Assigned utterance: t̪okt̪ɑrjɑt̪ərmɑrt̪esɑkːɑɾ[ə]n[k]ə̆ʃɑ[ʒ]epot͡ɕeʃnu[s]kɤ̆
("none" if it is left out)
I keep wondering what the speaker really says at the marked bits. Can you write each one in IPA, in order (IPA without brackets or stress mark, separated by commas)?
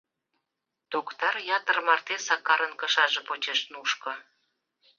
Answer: ə, k, ʒ, ʃ